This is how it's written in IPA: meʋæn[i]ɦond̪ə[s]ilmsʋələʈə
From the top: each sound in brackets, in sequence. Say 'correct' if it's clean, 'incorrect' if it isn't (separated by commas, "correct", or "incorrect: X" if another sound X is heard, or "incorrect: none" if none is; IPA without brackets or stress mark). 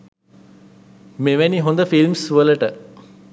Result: correct, incorrect: f